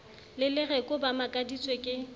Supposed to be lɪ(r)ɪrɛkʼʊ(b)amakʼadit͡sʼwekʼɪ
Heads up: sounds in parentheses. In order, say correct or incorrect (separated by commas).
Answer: incorrect, correct